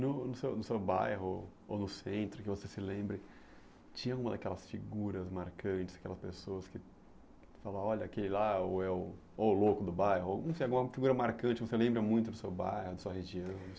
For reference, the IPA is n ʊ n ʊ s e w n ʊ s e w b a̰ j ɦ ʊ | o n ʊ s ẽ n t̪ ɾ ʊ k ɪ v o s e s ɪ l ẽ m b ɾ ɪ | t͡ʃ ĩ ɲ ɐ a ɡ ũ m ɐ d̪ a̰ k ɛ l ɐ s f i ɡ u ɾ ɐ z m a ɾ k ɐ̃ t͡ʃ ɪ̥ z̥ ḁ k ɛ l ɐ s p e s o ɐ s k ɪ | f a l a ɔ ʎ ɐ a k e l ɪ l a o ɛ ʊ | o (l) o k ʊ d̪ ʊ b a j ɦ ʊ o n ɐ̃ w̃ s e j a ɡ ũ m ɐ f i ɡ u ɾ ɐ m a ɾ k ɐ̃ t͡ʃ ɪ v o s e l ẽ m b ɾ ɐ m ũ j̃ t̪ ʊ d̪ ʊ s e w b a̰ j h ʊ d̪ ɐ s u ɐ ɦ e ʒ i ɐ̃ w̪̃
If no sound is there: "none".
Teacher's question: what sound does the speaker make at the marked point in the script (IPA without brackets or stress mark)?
l